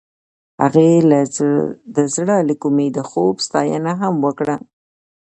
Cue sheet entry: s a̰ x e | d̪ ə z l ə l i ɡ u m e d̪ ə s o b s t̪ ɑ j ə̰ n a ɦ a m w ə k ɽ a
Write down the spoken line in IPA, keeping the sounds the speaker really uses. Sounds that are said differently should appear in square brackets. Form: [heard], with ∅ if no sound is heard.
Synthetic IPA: [h] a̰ [ɣ] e | d̪ ə z [ɽ] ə l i [k] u m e d̪ ə [x] o b s t̪ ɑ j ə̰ n a ɦ a m w ə k ɽ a